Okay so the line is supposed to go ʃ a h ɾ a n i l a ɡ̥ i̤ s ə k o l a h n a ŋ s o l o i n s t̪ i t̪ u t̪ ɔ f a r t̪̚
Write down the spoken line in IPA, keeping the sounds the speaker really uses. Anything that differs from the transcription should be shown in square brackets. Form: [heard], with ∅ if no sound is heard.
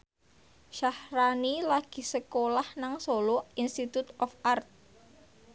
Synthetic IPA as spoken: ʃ a h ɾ a n i l a ɡ̥ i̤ s ə k o l a h n a ŋ s o l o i n s t̪ i t̪ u t̪ ɔ f a r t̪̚